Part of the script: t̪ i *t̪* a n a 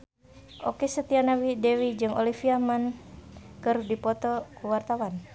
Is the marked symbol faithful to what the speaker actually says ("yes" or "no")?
no